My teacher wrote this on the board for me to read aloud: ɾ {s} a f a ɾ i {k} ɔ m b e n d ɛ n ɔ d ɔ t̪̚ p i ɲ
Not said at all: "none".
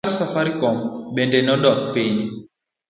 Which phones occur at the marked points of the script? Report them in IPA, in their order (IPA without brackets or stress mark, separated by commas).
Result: s, k